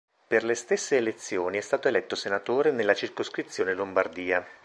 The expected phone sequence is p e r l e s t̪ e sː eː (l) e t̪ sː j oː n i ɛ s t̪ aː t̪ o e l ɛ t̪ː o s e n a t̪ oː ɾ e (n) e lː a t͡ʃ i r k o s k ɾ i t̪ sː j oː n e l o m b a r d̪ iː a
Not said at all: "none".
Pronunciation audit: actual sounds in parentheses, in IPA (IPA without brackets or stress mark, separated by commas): l, n